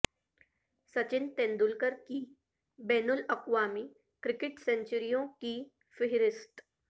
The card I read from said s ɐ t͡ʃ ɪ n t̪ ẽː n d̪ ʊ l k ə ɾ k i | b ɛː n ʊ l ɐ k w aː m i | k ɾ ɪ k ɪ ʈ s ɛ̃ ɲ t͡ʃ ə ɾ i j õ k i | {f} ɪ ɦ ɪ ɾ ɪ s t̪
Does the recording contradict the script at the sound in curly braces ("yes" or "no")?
no